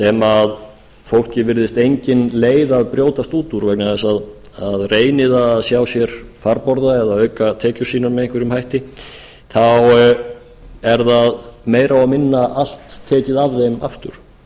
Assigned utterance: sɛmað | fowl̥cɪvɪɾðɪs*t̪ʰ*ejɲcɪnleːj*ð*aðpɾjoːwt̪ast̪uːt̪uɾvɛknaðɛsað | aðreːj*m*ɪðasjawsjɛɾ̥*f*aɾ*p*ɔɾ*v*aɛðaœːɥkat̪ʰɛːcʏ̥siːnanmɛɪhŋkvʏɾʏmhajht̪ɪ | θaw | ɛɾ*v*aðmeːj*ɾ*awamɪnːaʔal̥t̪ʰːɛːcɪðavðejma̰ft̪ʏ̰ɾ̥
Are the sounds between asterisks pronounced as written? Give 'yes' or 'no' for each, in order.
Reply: no, yes, no, yes, yes, no, no, yes

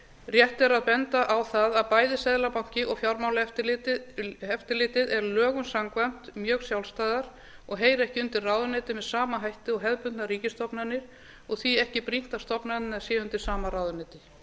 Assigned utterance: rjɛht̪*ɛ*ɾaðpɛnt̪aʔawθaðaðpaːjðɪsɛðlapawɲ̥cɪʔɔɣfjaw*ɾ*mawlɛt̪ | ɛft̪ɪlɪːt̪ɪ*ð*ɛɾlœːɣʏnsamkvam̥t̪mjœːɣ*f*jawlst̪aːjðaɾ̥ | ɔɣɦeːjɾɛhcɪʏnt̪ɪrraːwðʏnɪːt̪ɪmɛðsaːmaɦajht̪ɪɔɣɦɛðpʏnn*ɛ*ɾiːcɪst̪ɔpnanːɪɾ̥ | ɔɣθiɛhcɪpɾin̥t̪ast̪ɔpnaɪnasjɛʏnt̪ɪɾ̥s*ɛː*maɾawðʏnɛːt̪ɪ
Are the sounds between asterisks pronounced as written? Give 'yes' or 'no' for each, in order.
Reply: yes, yes, yes, no, no, no

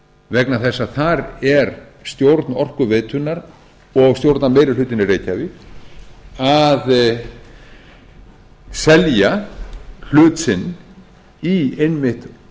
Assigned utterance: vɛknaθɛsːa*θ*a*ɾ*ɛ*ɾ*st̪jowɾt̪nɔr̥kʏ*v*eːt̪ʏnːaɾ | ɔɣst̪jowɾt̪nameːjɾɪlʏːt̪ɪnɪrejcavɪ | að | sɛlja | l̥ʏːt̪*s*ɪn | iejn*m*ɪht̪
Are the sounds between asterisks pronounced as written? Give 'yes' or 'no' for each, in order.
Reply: yes, yes, yes, yes, yes, yes

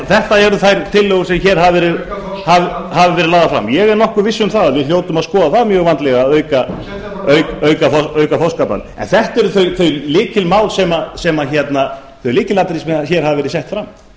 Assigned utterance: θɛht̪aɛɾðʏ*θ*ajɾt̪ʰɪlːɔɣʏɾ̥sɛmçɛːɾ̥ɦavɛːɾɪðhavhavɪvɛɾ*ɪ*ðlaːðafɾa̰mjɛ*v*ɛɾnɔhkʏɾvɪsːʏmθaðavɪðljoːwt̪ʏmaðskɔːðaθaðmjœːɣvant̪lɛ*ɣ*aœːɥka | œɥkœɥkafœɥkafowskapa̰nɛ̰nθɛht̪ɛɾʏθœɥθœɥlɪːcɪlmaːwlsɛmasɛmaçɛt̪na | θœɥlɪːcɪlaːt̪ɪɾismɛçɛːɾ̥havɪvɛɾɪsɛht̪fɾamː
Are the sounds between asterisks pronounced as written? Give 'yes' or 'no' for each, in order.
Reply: yes, yes, no, yes

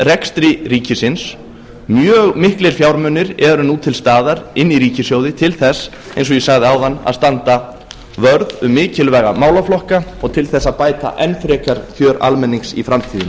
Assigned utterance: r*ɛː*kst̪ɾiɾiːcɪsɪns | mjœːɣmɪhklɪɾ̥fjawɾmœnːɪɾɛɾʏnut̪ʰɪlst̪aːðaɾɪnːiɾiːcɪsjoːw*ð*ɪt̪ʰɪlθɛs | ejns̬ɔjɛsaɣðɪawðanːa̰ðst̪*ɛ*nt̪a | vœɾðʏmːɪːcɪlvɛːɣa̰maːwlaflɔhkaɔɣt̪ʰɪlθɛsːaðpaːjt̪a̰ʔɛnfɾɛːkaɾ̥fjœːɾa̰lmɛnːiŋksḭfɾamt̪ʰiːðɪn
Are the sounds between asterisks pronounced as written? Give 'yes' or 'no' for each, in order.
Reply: no, yes, no

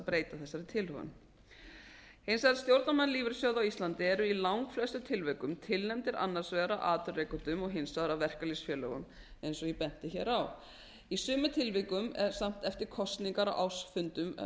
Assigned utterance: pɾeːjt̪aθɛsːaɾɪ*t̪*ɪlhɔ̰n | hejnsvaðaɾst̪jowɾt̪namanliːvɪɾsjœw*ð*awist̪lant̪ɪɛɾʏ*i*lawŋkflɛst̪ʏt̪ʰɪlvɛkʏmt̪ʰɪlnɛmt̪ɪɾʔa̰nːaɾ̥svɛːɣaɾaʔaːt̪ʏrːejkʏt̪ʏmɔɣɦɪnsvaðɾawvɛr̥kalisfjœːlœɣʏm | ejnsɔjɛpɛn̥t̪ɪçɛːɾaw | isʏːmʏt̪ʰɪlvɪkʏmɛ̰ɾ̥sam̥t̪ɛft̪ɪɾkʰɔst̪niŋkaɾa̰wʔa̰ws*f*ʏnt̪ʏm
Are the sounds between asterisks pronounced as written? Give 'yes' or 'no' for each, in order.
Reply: no, yes, yes, yes

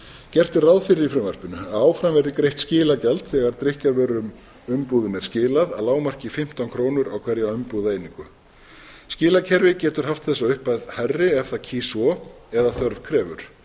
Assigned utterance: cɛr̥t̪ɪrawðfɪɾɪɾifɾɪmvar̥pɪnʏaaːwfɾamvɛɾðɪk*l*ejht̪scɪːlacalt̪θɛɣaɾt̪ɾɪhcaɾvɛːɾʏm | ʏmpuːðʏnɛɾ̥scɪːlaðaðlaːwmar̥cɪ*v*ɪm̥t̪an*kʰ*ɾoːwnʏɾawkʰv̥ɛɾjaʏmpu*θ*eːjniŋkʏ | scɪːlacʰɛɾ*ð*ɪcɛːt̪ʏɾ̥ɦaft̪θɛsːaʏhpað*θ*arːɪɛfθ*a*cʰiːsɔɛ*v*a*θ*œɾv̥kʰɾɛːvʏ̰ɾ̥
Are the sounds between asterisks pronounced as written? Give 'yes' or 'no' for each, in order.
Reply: no, no, yes, no, no, no, yes, no, yes

